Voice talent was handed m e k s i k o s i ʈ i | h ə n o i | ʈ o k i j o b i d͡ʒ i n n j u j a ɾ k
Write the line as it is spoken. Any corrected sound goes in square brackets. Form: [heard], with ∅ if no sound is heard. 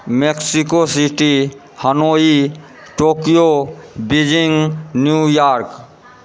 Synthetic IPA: m e k s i k o s i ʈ i | h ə n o i | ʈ o k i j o b i d͡ʒ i [ŋ] n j u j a ɾ k